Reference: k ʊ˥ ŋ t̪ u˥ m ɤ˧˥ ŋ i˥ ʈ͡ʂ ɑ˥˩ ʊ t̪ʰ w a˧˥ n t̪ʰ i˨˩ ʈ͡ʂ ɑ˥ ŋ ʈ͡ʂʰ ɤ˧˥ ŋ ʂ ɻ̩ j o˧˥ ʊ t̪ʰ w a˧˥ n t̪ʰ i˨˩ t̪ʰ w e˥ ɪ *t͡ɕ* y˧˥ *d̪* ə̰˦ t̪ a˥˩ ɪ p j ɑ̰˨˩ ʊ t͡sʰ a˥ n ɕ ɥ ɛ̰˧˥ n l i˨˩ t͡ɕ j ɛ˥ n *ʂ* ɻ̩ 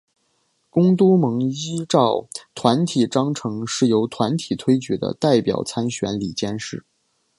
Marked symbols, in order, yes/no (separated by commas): yes, yes, yes